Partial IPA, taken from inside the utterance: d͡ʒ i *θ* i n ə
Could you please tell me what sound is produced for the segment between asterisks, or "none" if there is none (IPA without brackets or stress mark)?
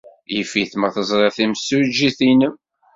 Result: θ